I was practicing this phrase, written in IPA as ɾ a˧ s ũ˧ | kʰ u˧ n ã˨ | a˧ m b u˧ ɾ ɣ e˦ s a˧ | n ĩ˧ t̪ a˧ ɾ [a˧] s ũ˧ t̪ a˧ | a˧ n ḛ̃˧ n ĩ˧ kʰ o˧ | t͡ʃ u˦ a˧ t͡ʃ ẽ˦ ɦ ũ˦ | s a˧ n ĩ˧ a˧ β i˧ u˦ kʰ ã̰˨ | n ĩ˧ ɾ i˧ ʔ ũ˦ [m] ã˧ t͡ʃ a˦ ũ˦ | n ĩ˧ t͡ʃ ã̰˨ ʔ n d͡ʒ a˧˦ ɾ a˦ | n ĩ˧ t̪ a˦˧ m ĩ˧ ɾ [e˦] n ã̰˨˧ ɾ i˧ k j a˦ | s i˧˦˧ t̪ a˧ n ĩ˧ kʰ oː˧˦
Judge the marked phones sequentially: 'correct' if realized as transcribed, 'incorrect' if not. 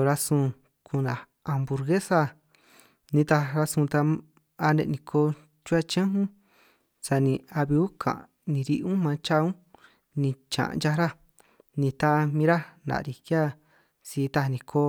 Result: correct, correct, incorrect

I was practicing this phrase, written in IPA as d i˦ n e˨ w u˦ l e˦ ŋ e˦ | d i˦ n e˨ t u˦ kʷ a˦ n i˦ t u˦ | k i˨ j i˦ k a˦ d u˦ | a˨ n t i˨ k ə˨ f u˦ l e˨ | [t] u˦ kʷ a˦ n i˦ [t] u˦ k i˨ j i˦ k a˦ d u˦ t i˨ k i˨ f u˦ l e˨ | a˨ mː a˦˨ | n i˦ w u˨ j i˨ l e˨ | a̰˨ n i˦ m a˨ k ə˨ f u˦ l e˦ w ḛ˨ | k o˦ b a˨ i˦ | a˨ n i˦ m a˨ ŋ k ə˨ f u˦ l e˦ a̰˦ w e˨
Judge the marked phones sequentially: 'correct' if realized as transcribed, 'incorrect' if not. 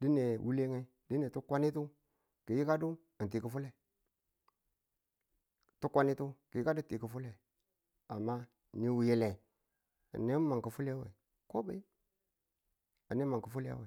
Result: correct, correct

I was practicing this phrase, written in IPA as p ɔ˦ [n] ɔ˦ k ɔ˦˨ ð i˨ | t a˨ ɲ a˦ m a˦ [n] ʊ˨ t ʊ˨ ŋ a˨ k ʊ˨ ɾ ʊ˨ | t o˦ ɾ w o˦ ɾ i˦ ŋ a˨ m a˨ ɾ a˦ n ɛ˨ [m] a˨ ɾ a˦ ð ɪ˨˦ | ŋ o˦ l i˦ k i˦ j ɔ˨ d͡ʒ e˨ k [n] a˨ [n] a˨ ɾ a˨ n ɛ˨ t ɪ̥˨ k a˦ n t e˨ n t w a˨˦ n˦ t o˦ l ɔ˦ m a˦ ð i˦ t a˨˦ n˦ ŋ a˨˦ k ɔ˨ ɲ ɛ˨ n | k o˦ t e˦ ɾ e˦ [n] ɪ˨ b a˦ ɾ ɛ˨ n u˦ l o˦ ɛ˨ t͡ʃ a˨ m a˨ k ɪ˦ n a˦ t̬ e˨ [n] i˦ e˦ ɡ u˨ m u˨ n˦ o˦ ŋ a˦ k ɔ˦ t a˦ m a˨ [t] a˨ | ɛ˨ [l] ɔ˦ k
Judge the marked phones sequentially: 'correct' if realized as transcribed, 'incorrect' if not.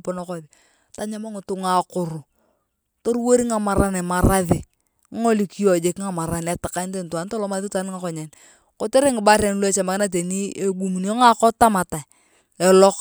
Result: correct, incorrect, correct, incorrect, incorrect, incorrect, correct, correct, correct

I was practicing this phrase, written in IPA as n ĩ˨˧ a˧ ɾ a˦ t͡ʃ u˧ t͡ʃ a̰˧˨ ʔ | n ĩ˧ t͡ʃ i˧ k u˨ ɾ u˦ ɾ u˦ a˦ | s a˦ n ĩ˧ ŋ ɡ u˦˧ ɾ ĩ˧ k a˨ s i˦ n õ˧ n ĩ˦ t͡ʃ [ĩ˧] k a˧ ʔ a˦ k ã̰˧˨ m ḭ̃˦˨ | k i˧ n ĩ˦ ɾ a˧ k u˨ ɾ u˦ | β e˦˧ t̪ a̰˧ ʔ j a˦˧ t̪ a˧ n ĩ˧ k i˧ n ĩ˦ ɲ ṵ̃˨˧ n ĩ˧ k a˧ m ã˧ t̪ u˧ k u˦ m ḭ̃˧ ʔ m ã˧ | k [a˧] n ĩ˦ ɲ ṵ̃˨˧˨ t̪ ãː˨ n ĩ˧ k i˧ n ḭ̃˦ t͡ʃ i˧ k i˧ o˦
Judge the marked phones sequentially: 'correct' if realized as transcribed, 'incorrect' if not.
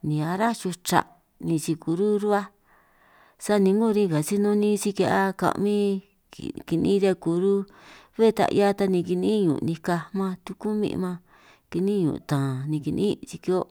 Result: incorrect, incorrect

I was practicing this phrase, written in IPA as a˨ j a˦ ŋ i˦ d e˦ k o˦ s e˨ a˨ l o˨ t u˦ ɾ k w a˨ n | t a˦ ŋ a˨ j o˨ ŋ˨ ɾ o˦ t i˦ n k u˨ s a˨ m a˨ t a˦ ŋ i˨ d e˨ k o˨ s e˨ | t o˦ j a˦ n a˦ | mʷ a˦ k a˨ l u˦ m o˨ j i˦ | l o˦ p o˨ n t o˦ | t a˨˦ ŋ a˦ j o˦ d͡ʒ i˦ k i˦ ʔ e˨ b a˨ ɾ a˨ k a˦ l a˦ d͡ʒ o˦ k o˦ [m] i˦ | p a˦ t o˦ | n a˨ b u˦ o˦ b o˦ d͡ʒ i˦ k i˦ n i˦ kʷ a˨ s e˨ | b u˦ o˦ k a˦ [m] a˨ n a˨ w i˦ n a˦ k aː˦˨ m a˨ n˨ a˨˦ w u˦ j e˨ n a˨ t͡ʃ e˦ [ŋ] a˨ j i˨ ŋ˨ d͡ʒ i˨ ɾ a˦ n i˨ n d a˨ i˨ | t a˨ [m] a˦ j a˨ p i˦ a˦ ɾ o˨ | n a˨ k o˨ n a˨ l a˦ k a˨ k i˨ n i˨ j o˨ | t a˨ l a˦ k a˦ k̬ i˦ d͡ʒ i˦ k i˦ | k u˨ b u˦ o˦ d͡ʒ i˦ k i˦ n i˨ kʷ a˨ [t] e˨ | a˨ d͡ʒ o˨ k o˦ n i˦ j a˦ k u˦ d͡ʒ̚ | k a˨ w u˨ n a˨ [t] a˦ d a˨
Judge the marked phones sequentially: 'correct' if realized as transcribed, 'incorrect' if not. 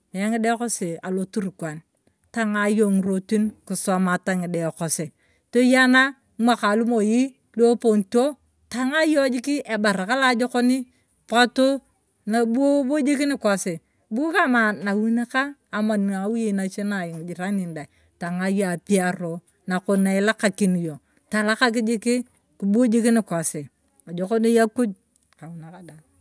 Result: incorrect, correct, incorrect, incorrect, incorrect, incorrect

